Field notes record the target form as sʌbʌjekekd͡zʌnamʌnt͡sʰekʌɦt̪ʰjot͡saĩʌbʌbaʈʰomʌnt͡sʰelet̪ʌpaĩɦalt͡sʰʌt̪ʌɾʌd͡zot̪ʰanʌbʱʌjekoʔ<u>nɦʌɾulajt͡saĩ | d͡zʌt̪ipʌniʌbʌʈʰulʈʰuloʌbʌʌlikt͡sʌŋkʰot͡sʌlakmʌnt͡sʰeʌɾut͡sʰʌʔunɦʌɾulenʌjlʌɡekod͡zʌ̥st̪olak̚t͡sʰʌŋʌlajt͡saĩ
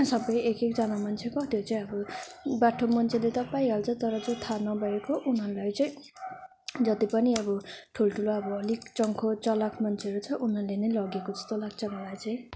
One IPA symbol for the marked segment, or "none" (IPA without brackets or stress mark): u